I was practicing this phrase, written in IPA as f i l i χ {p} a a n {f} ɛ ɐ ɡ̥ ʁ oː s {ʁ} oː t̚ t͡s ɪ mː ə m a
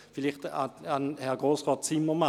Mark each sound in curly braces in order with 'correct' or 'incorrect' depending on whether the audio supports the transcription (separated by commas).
incorrect, incorrect, correct